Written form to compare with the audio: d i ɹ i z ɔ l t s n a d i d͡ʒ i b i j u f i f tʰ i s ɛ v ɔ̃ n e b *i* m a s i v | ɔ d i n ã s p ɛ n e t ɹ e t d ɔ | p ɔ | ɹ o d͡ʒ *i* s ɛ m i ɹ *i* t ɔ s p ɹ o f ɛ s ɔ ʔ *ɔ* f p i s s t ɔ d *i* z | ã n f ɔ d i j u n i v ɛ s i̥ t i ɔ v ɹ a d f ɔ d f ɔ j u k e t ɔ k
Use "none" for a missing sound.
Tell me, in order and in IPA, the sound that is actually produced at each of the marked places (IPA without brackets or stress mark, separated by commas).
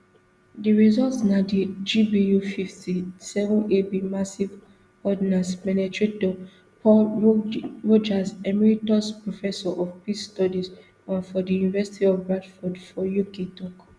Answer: i, a, i, ɔ, i